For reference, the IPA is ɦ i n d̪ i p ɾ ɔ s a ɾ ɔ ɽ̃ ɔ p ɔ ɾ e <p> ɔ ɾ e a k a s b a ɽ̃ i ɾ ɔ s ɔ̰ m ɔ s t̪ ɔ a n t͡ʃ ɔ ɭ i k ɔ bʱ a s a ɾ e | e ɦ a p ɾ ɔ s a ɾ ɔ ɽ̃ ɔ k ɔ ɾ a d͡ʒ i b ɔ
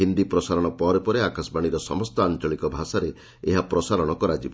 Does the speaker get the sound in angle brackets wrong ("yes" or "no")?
no